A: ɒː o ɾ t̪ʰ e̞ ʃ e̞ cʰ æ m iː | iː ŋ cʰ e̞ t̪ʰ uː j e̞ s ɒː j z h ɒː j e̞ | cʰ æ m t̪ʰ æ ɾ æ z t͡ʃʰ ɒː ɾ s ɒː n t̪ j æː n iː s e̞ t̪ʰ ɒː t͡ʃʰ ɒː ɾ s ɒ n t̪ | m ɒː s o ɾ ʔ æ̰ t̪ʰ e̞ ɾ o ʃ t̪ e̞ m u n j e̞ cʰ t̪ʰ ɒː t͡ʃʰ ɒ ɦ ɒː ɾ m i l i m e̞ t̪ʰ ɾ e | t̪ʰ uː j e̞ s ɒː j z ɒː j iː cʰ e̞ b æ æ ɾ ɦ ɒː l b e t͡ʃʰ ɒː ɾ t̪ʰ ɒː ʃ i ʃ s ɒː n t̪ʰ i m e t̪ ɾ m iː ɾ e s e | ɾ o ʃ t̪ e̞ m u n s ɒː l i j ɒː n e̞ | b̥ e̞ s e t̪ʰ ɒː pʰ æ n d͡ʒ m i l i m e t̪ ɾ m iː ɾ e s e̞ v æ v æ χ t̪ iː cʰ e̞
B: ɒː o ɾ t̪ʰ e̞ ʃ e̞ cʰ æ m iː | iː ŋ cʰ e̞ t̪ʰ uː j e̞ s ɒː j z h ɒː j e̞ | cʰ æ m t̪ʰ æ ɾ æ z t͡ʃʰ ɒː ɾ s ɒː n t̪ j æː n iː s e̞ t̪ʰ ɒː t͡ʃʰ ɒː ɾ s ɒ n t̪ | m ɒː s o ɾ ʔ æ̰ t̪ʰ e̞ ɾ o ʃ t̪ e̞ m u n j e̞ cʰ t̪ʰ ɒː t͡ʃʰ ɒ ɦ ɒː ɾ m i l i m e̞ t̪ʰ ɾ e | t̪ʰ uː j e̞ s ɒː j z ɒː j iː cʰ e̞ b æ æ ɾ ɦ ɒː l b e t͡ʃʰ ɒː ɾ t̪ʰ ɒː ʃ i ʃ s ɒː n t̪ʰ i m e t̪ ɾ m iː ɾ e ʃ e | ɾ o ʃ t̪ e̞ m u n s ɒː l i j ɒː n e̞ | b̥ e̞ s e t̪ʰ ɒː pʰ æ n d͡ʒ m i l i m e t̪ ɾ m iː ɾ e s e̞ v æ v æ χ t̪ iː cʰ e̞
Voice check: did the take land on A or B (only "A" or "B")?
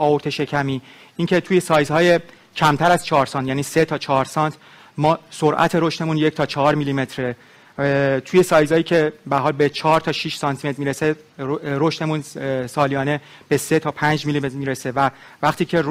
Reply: A